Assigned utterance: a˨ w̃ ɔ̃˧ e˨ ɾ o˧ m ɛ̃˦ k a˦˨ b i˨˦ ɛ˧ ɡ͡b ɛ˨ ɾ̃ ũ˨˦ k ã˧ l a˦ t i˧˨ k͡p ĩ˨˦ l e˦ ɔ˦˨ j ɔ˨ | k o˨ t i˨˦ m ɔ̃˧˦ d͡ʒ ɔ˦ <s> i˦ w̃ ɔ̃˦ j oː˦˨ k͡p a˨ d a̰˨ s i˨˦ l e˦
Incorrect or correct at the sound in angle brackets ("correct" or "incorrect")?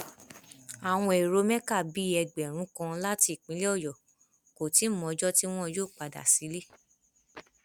incorrect